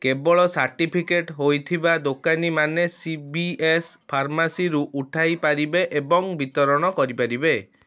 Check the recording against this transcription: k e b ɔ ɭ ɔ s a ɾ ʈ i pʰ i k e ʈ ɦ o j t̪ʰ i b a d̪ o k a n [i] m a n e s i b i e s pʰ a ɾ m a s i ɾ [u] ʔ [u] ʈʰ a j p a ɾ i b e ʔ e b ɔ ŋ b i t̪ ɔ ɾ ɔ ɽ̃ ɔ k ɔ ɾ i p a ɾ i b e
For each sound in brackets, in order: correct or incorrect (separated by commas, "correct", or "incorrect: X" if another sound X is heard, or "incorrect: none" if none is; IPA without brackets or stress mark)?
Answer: correct, correct, correct